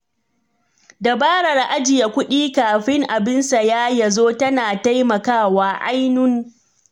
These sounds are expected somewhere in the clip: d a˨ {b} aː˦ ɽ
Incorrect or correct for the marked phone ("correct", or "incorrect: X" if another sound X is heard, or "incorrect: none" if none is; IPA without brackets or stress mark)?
correct